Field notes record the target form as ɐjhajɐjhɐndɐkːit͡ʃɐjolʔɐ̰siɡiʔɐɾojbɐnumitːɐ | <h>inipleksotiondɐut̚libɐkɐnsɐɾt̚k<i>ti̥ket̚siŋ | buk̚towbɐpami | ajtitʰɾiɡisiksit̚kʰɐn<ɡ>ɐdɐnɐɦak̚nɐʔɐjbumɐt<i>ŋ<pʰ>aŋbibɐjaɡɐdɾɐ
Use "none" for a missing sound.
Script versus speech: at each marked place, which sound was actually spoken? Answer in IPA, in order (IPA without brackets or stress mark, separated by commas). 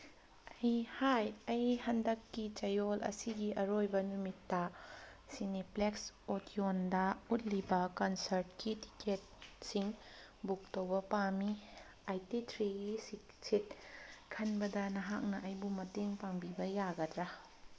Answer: s, i, b, e, p